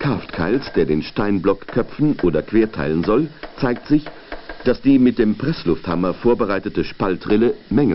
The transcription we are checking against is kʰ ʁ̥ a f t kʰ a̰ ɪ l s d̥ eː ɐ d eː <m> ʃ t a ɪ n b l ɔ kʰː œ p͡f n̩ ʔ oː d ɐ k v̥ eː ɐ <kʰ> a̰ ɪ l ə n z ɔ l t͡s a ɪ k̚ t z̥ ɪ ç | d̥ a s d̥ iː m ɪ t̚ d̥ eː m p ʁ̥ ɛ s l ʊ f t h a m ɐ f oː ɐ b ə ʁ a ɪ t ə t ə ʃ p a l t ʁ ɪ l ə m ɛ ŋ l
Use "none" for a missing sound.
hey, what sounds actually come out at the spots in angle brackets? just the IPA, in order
n, tʰ

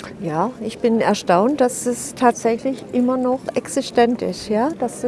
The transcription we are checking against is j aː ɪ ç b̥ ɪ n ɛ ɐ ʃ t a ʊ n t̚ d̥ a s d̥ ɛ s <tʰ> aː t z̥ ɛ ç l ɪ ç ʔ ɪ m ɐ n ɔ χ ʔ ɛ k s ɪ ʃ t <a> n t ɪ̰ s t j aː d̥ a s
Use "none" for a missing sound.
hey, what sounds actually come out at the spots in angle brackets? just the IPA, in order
tʰ, ɛ

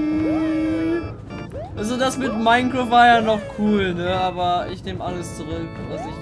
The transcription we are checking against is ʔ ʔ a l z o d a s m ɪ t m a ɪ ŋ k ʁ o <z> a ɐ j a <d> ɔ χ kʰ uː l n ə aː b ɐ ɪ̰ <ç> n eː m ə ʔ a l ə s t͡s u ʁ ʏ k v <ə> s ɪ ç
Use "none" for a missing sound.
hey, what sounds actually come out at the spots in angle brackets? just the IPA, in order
v, n, ç, a

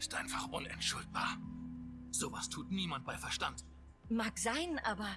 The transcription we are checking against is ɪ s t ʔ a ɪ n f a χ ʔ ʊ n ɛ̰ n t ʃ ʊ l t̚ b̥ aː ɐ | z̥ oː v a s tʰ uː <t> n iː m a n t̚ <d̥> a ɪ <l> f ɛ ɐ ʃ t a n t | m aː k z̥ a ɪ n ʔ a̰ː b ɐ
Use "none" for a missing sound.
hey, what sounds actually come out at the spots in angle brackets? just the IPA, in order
t, b̥, none

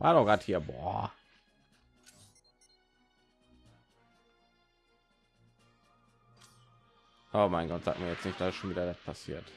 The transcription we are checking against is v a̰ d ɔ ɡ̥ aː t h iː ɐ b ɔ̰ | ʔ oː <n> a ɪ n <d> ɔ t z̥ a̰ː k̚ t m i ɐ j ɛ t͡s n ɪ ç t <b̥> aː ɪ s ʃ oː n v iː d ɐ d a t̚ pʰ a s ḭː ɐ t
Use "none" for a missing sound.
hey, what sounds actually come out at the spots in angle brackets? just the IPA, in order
m, ɡ, d̥

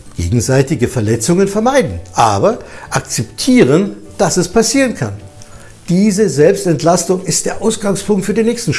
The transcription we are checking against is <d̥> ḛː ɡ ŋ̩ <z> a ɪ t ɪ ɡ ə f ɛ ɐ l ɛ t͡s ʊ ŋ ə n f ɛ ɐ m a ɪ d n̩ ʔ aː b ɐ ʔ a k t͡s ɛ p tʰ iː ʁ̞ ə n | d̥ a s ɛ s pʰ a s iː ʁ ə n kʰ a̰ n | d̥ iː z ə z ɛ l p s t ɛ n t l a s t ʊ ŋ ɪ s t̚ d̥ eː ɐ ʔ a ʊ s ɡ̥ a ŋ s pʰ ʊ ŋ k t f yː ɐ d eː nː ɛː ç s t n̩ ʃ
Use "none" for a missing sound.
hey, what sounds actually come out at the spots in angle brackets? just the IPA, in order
ɡ̥, z

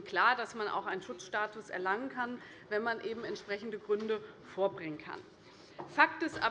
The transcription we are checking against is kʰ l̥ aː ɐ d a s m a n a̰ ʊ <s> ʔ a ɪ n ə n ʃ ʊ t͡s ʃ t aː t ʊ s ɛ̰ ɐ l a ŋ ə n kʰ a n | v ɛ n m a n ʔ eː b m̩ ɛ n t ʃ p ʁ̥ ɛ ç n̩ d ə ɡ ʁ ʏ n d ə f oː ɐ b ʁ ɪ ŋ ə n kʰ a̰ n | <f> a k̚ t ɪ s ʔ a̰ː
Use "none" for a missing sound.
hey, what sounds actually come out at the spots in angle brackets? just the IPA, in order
x, f

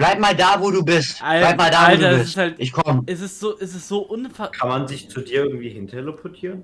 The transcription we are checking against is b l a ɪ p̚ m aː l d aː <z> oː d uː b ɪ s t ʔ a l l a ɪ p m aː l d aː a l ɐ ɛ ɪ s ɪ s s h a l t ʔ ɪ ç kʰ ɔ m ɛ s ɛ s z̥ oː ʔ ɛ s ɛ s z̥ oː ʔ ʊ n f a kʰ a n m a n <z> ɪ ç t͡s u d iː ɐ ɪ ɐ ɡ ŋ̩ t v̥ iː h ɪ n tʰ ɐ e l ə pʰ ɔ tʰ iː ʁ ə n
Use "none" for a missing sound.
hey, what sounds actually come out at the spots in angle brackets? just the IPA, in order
v, z

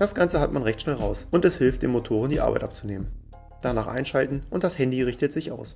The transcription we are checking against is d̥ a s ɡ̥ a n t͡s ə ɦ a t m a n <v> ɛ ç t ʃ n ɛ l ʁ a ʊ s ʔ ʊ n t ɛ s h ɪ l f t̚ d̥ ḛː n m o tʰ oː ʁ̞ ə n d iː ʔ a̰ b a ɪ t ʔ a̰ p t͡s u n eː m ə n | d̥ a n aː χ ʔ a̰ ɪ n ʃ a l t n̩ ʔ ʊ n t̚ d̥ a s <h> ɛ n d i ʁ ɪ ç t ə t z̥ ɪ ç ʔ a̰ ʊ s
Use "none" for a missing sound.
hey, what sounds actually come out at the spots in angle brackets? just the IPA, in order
ʁ, h

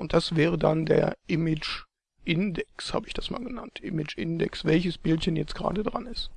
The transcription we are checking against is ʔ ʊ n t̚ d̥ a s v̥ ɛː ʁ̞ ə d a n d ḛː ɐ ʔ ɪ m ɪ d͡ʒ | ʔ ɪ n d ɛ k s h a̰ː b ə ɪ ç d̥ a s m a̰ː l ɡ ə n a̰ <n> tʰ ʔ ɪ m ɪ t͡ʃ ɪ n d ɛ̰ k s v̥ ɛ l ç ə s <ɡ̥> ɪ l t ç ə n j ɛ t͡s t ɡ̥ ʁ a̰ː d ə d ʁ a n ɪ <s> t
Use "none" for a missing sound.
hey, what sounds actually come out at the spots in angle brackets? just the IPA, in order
n, b̥, s

